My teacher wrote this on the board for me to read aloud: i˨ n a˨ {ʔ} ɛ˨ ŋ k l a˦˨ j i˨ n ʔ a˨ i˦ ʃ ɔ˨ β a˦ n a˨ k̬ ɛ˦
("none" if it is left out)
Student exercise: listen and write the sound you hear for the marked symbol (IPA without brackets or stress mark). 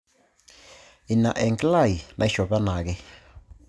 ʔ